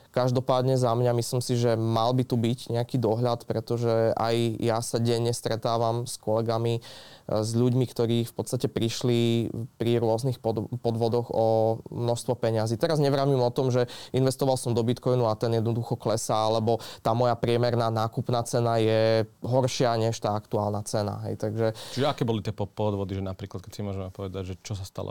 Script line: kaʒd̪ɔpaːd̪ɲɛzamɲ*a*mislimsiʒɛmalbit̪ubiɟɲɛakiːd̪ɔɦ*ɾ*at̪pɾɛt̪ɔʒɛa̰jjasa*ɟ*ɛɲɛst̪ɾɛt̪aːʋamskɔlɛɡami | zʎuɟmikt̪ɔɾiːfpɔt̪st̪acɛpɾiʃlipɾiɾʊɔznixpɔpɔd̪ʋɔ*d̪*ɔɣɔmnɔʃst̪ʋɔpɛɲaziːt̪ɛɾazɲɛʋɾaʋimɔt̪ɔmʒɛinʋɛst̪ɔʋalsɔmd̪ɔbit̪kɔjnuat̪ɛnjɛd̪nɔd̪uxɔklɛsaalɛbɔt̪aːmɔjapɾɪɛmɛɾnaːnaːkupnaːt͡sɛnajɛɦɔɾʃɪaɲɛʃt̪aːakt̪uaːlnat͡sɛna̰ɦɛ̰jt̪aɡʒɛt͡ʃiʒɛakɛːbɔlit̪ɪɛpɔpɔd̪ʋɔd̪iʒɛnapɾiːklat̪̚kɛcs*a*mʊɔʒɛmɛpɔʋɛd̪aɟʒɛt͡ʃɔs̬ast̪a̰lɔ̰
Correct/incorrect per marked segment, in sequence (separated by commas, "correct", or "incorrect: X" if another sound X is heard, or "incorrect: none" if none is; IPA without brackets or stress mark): correct, incorrect: ʎ, correct, correct, incorrect: i